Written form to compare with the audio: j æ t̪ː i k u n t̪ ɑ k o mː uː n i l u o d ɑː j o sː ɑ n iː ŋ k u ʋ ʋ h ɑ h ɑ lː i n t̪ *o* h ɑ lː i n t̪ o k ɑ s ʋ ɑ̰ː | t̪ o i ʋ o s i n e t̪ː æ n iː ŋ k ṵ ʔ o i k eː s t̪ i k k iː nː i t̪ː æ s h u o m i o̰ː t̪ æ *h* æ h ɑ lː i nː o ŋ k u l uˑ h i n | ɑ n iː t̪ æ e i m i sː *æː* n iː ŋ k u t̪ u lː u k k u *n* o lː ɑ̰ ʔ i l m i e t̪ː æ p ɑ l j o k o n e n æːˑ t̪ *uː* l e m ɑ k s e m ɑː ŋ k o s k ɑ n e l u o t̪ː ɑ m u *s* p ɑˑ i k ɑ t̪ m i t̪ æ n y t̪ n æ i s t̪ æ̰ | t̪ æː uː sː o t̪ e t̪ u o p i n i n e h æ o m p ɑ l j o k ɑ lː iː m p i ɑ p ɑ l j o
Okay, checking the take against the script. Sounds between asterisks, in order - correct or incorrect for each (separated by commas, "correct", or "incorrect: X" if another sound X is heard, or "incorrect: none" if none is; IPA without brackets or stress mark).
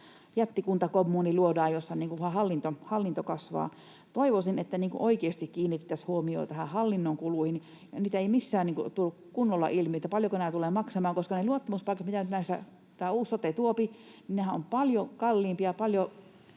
correct, correct, correct, incorrect: nː, incorrect: u, correct